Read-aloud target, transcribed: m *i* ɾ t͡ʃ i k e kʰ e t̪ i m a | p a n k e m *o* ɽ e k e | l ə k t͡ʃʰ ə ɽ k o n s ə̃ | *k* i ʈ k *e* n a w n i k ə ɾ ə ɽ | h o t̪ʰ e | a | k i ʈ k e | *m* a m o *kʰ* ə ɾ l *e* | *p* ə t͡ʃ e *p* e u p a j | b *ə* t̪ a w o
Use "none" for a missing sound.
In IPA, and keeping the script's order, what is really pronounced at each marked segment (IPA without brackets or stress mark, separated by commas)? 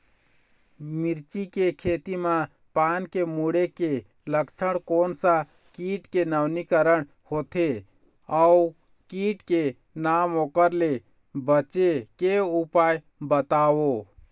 i, u, k, e, n, k, e, b, k, ə